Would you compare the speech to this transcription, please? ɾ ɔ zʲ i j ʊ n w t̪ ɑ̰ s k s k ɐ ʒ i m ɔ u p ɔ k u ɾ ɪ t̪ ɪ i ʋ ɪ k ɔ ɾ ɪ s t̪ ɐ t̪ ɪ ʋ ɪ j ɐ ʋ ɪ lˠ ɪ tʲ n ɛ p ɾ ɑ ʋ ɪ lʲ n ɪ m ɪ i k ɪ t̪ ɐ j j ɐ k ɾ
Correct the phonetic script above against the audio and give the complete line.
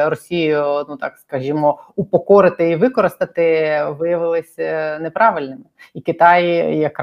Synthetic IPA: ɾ ɔ sʲ i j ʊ n u t̪ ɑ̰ k s k ɐ ʒ i m ɔ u p ɔ k ɔ ɾ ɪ t̪ ɪ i ʋ ɪ k ɔ ɾ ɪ s t̪ ɐ t̪ ɪ ʋ ɪ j ɐ ʋ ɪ lˠ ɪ sʲ n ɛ p ɾ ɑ ʋ ɪ lʲ n ɪ m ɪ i k ɪ t̪ ɑ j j ɐ k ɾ